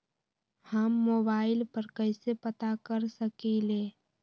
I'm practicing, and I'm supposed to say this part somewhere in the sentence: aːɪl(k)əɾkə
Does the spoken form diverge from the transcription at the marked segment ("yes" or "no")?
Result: yes